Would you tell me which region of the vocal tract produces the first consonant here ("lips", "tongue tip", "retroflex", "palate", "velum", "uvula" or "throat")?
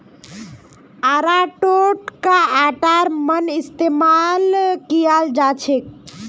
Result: tongue tip